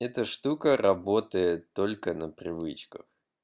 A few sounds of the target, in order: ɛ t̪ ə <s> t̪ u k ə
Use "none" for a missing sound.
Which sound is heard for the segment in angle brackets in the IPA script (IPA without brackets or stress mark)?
ʂ